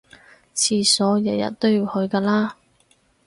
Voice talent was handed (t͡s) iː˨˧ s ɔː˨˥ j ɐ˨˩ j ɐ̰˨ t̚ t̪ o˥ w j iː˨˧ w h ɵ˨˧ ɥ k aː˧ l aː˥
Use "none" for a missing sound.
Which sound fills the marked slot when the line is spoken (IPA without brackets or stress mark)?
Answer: t͡sʰ